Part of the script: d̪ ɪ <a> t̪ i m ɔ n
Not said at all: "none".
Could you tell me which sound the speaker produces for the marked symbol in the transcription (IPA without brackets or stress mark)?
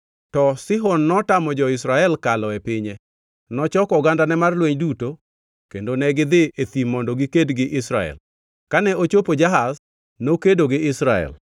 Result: e